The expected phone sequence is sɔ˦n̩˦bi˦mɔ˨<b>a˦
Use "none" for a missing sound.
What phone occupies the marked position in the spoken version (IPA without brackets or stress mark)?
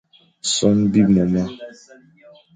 m